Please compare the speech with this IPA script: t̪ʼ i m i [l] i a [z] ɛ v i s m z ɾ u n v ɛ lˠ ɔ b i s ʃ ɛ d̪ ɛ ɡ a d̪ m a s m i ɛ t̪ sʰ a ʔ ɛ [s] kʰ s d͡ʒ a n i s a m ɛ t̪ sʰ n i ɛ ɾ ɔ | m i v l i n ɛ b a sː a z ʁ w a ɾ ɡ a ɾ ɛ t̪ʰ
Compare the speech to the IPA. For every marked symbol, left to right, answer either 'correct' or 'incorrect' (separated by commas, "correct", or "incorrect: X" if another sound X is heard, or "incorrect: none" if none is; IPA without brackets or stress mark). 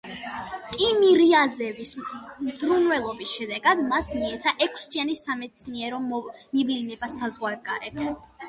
incorrect: ɾ, correct, incorrect: none